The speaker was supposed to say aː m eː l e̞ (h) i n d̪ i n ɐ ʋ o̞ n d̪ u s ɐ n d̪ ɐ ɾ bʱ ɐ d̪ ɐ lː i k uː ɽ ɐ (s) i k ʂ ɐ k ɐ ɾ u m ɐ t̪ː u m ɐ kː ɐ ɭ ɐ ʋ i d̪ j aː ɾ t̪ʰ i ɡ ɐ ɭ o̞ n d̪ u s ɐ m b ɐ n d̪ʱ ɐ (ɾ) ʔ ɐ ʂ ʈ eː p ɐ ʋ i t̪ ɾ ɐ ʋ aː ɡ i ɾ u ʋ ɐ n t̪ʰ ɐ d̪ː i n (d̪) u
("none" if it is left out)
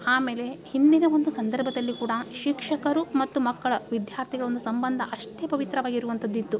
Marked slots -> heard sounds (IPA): h, ʃ, none, t̪

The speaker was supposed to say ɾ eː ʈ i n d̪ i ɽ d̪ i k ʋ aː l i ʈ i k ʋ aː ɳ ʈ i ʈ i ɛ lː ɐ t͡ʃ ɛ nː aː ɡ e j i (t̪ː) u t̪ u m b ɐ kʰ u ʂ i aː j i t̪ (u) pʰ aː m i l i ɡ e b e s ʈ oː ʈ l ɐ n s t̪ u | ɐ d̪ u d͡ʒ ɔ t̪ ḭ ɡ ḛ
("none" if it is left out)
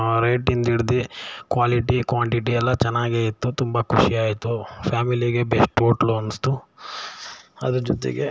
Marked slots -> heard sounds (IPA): t̪ː, u

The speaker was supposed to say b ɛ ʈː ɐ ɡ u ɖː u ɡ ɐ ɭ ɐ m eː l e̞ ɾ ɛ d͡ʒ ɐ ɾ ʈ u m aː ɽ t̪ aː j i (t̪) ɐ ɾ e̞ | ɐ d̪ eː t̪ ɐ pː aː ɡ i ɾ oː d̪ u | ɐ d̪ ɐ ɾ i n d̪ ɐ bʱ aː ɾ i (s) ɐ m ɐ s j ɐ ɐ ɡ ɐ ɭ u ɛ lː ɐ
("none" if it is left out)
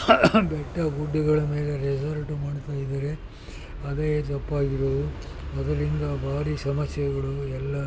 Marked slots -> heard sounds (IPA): d̪, s

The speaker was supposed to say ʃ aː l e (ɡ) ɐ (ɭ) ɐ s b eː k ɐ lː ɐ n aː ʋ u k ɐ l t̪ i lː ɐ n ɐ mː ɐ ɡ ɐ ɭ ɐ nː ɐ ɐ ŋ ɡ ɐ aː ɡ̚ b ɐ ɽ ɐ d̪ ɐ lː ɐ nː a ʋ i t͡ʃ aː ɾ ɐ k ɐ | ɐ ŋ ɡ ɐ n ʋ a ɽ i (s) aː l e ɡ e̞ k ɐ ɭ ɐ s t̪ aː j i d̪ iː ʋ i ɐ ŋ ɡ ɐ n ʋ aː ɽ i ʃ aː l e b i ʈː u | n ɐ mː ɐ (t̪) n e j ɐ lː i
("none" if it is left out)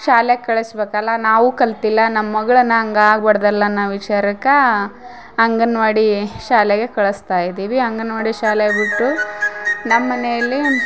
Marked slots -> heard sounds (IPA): k, ɭ, ʃ, none

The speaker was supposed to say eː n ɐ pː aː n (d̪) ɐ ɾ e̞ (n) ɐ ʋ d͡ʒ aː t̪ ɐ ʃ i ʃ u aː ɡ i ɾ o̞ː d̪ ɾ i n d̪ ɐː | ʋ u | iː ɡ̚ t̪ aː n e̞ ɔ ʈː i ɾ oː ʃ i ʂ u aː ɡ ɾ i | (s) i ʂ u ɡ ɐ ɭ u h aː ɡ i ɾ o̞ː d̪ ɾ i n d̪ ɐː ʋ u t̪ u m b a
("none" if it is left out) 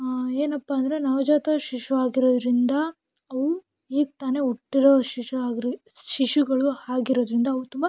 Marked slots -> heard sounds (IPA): d̪, n, ʃ

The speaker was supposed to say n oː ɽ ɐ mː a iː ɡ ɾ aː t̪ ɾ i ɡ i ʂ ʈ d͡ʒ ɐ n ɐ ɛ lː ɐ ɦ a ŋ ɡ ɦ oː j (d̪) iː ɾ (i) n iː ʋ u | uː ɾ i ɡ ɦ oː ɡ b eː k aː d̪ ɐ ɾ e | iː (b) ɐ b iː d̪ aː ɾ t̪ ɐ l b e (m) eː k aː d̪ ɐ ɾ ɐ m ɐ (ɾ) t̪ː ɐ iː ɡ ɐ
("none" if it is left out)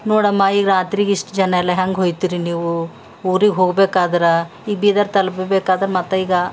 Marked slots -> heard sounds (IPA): t̪, i, ɡ, b, none

